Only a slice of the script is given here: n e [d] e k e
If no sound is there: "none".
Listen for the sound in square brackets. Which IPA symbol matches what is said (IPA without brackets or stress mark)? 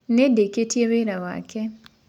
d